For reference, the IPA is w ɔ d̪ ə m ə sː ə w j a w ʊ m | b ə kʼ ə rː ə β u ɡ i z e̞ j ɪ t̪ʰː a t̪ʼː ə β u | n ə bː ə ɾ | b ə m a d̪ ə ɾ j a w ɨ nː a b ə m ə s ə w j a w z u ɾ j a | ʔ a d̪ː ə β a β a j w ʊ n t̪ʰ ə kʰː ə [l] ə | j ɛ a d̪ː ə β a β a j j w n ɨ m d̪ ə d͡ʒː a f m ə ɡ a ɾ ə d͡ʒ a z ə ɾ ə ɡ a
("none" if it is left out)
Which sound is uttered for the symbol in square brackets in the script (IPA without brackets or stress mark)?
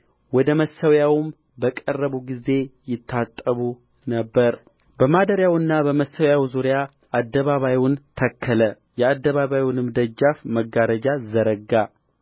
l